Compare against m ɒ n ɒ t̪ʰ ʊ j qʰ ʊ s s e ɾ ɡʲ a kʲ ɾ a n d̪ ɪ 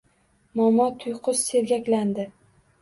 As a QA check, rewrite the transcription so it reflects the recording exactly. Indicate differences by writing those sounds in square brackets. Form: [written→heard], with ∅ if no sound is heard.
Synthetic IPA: m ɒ [n→m] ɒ t̪ʰ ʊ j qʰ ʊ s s e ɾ ɡʲ a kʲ [ɾ→l] a n d̪ ɪ